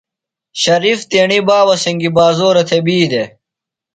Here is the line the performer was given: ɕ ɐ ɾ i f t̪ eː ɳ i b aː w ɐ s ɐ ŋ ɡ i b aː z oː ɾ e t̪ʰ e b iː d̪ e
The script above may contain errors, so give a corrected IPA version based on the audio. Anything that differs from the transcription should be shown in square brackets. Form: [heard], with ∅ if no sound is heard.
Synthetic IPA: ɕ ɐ ɾ i f t̪ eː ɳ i b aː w ɐ s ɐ ŋ ɡ i b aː z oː ɾ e t̪ʰ e b iː d̪ e